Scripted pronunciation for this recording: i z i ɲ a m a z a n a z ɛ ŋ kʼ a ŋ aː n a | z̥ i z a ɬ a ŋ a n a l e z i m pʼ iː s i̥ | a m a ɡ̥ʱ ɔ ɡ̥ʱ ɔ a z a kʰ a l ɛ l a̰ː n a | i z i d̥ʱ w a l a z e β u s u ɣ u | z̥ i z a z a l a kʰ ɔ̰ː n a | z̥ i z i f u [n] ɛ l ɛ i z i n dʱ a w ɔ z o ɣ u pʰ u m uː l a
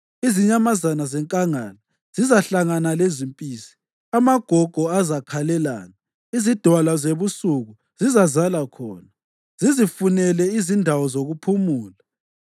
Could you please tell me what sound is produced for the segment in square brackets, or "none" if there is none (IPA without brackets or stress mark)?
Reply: n